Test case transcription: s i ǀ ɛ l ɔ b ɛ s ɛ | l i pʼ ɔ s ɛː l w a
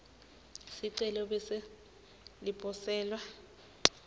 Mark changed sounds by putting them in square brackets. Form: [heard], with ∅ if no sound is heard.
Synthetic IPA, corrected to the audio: s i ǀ ɛ l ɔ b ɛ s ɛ | l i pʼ ɔ s ɛː l w a

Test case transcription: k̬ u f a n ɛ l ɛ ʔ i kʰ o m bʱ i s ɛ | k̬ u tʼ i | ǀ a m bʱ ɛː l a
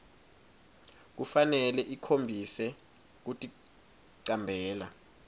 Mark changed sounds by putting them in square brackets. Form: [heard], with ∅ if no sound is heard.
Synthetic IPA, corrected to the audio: k̬ u f a n ɛ l ɛ ʔ i kʰ o m bʱ i s ɛ | k̬ u tʼ i | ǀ a m bʱ ɛː l a

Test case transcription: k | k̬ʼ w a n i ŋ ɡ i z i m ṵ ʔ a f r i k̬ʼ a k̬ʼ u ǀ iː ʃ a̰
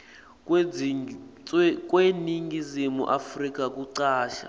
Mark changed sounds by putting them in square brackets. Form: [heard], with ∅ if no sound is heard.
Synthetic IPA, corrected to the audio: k | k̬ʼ w [e] n i ŋ ɡ i z i m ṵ ʔ a f r i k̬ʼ a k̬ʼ u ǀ [aː] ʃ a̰

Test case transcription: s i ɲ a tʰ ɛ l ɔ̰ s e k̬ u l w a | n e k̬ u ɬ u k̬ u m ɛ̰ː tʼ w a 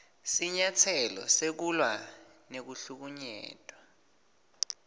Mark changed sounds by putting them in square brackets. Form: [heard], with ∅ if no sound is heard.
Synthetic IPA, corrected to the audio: s i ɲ a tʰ ɛ l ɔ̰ s e k̬ u l w a | n e k̬ u ɬ u k̬ u [ɲ] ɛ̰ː tʼ w a

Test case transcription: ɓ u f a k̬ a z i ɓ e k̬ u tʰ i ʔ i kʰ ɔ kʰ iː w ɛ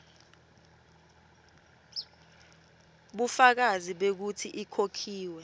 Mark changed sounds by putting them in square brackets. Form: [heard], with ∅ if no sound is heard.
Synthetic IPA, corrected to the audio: ɓ u f a k̬ a z i ɓ e k̬ u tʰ i ʔ i kʰ [o] kʰ iː w ɛ

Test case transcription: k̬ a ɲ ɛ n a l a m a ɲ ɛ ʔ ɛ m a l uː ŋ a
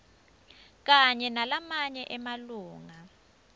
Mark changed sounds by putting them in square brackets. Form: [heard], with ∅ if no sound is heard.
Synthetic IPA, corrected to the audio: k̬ a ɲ ɛ n a l a m a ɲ ɛ ʔ ɛ m a l uː ŋ a

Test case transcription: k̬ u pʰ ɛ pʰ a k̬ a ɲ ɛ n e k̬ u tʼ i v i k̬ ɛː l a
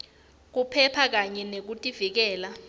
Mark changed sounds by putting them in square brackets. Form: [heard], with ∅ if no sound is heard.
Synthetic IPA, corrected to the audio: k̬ u pʰ ɛ pʰ a k̬ a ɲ ɛ n e k̬ u tʼ i v i k̬ ɛː l a

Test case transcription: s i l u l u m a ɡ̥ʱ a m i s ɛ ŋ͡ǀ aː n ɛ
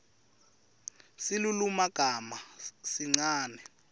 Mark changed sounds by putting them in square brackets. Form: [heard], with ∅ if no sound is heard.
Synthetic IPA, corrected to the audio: s i l u l u m a ɡ̥ʱ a m [a] s [i] ŋ͡ǀ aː n ɛ

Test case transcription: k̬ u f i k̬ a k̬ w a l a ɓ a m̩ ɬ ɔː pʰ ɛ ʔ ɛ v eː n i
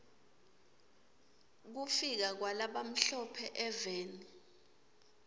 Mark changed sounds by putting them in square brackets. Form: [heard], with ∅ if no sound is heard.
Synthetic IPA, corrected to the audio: k̬ u f i k̬ a k̬ w a l a ɓ a m̩ ɬ [ɔ] pʰ ɛ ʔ ɛ v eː n i

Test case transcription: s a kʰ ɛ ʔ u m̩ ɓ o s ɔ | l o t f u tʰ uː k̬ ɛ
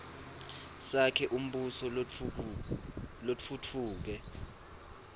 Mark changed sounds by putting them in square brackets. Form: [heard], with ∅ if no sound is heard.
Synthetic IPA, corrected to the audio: s a kʰ ɛ ʔ u m̩ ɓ [u] s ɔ | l o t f u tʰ uː k̬ ɛ

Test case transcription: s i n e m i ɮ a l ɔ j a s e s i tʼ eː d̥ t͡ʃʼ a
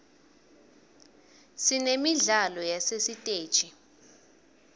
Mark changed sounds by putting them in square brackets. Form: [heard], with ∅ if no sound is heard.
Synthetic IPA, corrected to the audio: s i n e m i ɮ a l ɔ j a s e s i tʼ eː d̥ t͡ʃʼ [i]

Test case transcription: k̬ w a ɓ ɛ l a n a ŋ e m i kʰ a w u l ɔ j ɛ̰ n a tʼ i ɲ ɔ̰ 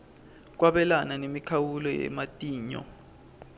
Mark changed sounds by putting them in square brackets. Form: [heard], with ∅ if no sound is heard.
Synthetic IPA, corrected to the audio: k̬ w a ɓ ɛ l a n a [n] e m i kʰ a w u l ɔ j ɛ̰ [m] a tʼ [iː] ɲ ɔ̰

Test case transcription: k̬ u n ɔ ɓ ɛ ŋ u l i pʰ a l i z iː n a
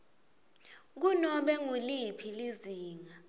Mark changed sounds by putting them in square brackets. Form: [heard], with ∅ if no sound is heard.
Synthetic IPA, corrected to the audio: k̬ u n ɔ ɓ ɛ ŋ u l i pʰ [i] l i z iː [ŋ] a

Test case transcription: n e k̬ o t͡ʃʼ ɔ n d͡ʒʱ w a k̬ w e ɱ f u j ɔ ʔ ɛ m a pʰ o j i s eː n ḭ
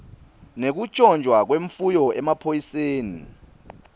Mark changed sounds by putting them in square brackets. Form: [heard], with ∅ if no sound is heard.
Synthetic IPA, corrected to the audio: n e k̬ [u] t͡ʃʼ ɔ n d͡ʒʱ w a k̬ w e ɱ f u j ɔ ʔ ɛ m a pʰ o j i s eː n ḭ

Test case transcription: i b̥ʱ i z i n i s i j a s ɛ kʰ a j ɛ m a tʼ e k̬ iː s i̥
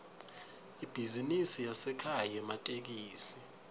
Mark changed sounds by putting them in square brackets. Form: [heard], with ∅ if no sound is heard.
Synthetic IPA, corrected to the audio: i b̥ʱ i z i n i s i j a s ɛ kʰ a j ɛ m a tʼ e k̬ iː s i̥

